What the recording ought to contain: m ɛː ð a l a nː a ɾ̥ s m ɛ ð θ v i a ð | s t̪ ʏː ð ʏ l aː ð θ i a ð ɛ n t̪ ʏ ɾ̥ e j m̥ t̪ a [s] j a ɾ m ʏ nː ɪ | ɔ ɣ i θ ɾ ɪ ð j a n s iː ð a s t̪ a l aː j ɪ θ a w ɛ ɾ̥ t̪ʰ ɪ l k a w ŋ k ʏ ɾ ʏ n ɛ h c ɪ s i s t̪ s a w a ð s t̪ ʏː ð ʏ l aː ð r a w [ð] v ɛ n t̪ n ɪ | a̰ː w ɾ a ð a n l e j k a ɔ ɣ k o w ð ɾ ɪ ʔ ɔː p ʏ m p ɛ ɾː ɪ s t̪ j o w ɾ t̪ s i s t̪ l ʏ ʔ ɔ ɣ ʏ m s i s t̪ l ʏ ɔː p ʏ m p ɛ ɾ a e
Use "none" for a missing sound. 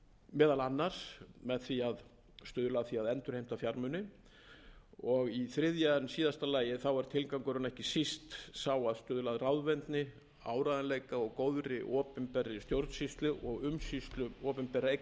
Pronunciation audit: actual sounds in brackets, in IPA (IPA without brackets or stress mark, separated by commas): f, ð